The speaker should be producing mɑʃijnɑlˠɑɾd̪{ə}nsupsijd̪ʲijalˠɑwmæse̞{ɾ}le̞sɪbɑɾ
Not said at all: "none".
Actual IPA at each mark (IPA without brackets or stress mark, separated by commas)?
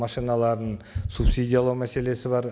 ə, none